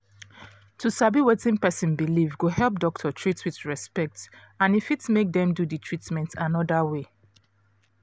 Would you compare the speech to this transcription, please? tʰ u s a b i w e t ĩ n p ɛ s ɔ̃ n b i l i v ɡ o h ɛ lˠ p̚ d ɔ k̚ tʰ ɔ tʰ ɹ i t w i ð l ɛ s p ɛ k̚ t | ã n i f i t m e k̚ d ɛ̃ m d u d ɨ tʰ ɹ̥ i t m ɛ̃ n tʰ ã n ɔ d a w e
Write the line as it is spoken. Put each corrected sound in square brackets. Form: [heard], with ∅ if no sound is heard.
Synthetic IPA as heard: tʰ u s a b i w e t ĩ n p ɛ s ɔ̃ n b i l i v ɡ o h ɛ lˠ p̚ d ɔ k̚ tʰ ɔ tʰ ɹ i t w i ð [ɹ] ɛ s p ɛ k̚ t | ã n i f i t m e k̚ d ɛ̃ m d u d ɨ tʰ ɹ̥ i t m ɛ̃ n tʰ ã n ɔ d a w e